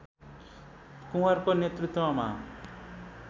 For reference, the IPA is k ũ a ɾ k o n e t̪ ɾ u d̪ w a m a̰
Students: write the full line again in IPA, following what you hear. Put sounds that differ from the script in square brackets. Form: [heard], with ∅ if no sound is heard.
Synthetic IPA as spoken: k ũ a ɾ k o n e t̪ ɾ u [t̪] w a m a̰